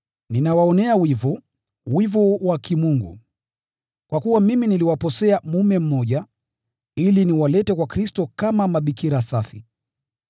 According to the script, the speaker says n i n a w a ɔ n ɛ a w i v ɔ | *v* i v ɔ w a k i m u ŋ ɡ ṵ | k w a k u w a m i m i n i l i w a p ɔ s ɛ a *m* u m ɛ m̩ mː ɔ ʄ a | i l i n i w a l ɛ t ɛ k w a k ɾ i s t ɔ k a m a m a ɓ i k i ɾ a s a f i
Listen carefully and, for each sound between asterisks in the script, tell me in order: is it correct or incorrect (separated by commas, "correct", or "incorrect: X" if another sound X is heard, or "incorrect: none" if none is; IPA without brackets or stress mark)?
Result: incorrect: w, correct